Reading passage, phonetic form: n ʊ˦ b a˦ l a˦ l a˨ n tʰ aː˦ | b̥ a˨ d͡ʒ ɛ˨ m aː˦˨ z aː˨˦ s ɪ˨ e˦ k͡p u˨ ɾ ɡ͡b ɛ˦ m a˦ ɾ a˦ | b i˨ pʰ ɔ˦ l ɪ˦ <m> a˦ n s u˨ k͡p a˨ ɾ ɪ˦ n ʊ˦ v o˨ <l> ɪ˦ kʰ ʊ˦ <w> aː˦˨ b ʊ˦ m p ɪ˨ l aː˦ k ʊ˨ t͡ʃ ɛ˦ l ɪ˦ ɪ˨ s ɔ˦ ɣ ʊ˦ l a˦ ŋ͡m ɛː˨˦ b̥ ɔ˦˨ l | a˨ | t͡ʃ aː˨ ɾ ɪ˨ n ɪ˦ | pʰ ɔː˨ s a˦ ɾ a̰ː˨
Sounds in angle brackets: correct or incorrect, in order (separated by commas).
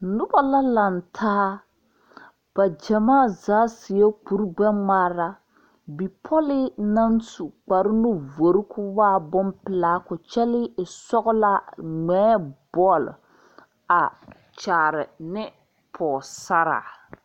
incorrect, incorrect, correct